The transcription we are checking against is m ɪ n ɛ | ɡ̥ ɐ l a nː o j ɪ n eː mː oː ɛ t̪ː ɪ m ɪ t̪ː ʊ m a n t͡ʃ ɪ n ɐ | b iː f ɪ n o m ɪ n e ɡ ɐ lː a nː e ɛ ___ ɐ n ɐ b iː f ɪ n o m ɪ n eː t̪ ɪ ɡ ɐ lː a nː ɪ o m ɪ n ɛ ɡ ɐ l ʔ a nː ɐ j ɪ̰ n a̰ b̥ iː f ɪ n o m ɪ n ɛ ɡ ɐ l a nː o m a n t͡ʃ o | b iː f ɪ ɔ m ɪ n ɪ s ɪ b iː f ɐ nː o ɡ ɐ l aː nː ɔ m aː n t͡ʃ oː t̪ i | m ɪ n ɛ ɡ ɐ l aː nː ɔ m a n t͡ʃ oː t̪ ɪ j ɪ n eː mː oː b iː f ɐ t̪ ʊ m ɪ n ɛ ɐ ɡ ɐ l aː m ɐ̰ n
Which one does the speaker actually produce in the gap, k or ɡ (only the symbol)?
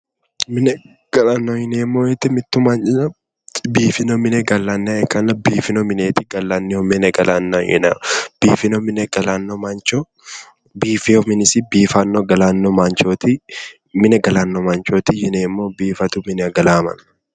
k